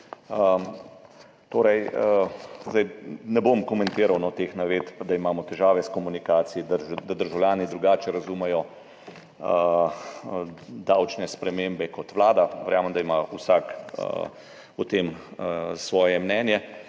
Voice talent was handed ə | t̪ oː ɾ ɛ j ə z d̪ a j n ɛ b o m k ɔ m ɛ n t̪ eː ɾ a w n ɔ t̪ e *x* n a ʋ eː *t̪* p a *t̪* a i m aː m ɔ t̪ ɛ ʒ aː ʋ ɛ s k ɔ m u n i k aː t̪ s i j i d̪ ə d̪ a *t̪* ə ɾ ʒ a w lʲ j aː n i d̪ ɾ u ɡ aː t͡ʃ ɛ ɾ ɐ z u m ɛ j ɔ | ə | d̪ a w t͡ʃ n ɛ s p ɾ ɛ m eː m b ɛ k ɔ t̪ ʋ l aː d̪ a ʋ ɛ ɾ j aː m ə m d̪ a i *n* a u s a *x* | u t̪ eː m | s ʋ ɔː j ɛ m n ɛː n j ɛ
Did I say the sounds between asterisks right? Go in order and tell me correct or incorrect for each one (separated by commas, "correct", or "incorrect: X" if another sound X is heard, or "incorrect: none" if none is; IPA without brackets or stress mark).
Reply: correct, correct, incorrect: d̪, incorrect: d̪, incorrect: m, incorrect: k